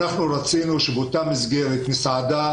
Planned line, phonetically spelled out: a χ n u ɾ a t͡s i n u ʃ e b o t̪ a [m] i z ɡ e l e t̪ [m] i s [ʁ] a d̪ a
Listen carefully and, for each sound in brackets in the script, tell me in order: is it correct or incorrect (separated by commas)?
correct, correct, incorrect